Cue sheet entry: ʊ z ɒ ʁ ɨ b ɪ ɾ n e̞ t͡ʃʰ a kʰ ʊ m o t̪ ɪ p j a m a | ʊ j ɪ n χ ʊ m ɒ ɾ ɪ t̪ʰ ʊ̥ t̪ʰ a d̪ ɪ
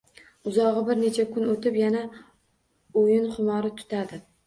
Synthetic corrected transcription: ʊ z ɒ ʁ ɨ b ɪ ɾ n e̞ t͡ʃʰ a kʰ ʊ n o t̪ ɪ p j a n a | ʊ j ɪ n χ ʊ m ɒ ɾ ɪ t̪ʰ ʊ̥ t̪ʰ a d̪ ɪ

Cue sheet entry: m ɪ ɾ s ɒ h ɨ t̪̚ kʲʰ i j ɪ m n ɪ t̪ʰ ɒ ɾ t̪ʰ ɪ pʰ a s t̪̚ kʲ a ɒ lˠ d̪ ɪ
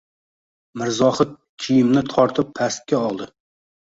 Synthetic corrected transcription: m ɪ ɾ z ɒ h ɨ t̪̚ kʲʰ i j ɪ m n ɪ t̪ʰ ɒ ɾ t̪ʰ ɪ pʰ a s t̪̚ kʲ a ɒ lˠ d̪ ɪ

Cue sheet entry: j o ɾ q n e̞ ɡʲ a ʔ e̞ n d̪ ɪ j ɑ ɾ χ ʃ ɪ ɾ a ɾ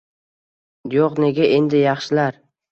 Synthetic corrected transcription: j o q n e̞ ɡʲ a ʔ e̞ n d̪ ɪ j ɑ χ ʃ ɪ l a ɾ

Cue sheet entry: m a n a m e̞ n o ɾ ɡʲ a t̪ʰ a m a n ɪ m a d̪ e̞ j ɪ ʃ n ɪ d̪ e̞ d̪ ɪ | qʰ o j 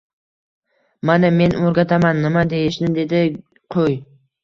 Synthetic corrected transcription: m a n a m e̞ n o ɾ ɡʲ a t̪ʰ a m a nː ɪ m a d̪ e̞ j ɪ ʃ n ɪ d̪ e̞ d̪ ɪ | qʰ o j

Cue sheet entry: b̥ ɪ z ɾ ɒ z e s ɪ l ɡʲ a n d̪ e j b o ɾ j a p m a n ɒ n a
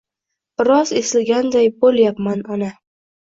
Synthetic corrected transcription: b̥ ɪ ɾ ɒ z e s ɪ l ɡʲ a n d̪ a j b o l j a p m a n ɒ n a

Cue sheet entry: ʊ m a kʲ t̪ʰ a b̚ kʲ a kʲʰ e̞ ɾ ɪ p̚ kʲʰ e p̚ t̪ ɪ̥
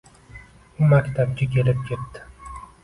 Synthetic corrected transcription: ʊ m a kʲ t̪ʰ a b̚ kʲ a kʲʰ e̞ l ɪ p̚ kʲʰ e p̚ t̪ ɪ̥

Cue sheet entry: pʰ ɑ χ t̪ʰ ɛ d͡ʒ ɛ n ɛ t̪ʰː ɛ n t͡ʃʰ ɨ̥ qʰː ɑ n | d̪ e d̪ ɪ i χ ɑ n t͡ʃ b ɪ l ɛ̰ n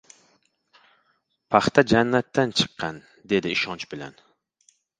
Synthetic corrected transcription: pʰ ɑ χ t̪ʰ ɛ d͡ʒ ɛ nː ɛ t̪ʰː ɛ n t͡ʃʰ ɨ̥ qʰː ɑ n | d̪ e d̪ ɪ i ʃ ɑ n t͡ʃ b ɪ l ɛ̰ n

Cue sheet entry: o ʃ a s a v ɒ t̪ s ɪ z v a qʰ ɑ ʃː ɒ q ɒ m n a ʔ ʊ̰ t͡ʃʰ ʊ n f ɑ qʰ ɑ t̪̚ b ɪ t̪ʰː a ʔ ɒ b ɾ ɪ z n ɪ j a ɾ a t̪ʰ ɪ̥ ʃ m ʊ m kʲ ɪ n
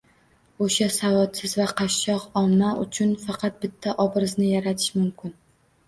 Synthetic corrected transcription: o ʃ a s a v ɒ t̪ s ɪ z v a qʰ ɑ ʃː ɒ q ɒ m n a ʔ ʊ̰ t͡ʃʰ ʊ n f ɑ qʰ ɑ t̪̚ b ɪ t̪ʰː a ʔ ɒ b ɾ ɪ z n ɪ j a ɾ a t̪ʰ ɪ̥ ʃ m ʊ m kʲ ɪ n

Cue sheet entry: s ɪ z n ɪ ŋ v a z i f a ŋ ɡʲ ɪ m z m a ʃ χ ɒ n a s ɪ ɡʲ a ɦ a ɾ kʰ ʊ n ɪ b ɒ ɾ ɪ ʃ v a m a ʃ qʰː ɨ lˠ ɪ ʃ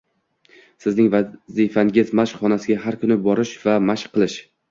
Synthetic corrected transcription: s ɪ z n ɪ ŋ v a z i f a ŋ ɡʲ ɪ z m a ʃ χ ɒ n a s ɪ ɡʲ a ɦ a ɾ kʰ ʊ n ɪ b ɒ ɾ ɪ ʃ v a m a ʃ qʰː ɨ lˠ ɪ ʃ

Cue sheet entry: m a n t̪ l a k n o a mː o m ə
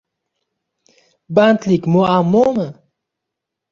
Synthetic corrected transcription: b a n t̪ l i k m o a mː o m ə

